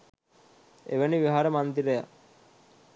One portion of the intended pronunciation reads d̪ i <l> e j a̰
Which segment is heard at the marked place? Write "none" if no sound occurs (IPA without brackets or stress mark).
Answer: ɾ